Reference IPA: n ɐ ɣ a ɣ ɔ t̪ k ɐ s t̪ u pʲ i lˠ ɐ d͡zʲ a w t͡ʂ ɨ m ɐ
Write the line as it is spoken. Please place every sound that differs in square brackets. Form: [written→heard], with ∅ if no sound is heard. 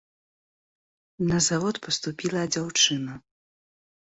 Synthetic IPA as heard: n ɐ [ɣ→z] a [ɣ→v] ɔ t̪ [k→p] ɐ s t̪ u pʲ i lˠ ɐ d͡zʲ a w t͡ʂ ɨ [m→n] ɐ